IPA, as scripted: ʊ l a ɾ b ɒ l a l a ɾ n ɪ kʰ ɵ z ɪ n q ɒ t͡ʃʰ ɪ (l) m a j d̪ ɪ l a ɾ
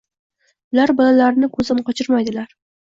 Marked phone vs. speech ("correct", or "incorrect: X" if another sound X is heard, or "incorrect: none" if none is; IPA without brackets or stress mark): incorrect: ɾ